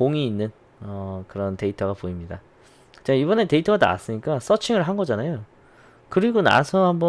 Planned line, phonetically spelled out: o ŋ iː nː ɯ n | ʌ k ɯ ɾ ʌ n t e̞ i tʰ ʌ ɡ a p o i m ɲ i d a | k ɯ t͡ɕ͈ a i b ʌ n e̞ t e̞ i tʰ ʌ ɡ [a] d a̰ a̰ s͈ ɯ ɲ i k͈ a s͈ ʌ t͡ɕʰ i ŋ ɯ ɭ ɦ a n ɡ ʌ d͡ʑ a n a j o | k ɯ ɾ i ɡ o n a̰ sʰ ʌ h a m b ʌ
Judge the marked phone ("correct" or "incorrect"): correct